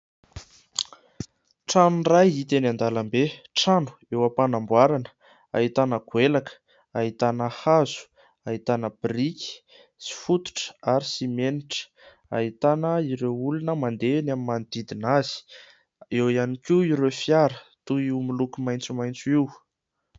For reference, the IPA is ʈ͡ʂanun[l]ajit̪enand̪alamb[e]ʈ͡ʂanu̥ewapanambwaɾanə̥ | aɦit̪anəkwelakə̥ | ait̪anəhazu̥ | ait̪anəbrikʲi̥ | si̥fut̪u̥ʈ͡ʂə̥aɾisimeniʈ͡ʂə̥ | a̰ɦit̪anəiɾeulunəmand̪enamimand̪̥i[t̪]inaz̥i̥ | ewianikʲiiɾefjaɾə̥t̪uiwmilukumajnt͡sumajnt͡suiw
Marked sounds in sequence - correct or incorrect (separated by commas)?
incorrect, correct, incorrect